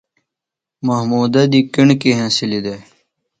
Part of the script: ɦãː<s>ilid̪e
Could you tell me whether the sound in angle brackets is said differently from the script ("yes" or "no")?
no